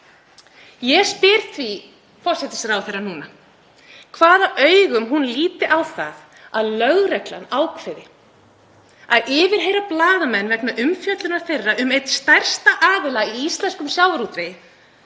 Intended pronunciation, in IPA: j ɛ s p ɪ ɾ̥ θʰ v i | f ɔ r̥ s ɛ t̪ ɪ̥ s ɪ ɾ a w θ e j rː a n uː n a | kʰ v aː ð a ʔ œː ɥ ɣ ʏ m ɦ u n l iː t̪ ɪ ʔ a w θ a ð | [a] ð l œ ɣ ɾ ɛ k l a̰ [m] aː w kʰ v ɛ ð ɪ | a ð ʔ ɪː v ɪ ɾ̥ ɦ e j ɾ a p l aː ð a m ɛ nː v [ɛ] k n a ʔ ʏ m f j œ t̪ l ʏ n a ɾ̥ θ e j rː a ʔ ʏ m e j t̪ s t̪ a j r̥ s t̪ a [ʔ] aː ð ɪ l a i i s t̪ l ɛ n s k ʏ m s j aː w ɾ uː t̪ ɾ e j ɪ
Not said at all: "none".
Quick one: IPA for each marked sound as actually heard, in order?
a, n, ɛ, ʔ

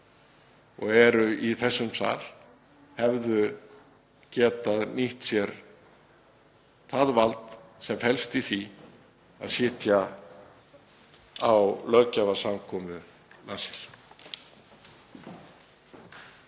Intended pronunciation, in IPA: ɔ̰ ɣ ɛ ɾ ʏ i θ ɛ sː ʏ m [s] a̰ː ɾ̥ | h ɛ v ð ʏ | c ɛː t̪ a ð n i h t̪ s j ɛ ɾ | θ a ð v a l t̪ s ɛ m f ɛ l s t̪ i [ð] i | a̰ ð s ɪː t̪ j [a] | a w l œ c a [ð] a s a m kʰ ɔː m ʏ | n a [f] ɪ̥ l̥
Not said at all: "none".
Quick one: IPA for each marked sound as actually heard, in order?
s, θ, a, v, s

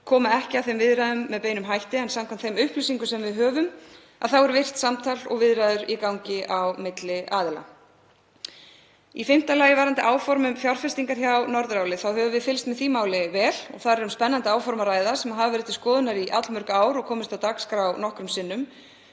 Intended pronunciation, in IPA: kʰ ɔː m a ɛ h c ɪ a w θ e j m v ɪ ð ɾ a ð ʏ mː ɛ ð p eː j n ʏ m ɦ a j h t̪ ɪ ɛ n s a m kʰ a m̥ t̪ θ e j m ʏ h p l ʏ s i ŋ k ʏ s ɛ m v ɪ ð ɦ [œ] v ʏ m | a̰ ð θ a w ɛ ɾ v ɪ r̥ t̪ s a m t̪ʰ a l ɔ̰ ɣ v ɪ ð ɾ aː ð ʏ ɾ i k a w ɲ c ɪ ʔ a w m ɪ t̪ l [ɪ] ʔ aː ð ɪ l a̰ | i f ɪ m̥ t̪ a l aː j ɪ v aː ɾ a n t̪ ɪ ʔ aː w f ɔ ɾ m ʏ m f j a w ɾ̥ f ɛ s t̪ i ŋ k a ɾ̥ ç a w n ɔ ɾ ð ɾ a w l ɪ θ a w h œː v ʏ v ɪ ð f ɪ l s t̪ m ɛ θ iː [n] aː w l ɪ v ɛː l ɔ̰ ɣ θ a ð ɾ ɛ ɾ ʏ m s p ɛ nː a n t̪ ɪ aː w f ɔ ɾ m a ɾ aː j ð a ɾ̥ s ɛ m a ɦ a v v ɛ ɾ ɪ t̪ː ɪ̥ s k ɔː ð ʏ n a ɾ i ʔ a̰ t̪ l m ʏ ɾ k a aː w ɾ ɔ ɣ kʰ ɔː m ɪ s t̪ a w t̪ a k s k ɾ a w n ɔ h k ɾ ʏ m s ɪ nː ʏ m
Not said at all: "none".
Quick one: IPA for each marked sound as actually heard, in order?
œː, ɪ, m

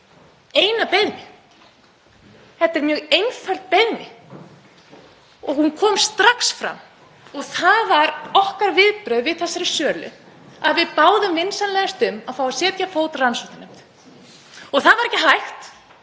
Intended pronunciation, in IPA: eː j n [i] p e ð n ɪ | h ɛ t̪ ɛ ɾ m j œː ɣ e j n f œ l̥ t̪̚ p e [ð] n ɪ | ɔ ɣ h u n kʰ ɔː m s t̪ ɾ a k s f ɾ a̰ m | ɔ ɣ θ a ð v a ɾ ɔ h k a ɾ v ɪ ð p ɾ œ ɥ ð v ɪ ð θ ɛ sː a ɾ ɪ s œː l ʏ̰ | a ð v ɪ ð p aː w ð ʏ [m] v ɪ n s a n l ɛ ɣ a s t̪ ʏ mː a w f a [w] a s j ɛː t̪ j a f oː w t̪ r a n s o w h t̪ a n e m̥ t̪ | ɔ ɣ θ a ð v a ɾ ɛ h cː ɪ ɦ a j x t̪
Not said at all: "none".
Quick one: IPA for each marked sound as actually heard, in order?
a, ð, m, w

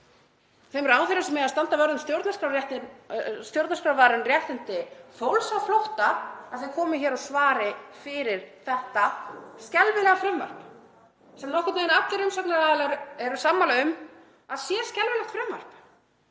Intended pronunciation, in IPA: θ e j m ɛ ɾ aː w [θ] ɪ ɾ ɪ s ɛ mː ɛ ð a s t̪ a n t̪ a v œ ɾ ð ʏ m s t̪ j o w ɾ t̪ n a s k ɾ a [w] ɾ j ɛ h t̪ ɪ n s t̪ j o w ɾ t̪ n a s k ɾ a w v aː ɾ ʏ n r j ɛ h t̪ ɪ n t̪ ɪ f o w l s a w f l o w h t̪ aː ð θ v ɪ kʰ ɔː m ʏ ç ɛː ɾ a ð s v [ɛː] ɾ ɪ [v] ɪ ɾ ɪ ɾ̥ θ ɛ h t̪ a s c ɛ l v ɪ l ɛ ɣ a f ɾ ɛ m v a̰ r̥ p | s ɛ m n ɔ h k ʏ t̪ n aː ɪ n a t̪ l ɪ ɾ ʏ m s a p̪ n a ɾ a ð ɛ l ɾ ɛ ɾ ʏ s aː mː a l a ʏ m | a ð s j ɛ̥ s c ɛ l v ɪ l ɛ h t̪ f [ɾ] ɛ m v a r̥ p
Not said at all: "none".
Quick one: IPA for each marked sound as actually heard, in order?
θ, w, aː, f, ɾ

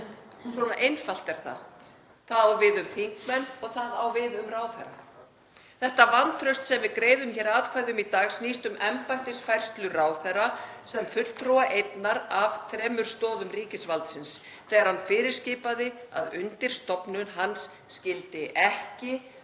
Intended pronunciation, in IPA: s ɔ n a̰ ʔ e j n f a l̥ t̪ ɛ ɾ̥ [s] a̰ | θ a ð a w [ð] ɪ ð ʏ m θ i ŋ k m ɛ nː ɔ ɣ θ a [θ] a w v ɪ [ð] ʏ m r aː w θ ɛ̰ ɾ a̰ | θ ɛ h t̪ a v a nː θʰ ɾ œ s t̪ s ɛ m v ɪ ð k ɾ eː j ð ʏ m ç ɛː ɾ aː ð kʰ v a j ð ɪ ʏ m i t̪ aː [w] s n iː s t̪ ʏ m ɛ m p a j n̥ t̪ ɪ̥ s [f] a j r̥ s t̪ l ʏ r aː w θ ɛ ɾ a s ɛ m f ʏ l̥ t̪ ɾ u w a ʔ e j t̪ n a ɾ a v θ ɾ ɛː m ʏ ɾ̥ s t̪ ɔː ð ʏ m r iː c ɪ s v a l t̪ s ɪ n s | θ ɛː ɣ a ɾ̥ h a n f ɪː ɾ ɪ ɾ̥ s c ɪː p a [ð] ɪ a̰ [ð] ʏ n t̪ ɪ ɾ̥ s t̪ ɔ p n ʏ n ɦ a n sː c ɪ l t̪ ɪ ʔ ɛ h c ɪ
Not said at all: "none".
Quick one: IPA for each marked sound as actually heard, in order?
θ, v, ð, ð, ɣ, f, ð, ð

